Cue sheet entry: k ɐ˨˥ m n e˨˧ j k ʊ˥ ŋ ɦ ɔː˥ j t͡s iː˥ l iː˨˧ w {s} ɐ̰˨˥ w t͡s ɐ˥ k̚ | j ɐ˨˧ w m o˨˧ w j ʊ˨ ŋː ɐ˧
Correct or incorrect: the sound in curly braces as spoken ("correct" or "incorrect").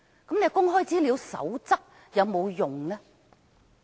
correct